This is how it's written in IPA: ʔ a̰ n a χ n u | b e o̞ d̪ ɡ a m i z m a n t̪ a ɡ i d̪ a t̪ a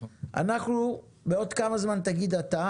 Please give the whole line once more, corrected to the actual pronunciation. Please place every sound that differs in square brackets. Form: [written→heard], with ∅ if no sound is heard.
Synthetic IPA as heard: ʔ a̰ n a χ n u | b e o̞ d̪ [ɡ→k] a m [i→a] z m a n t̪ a ɡ i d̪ a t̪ a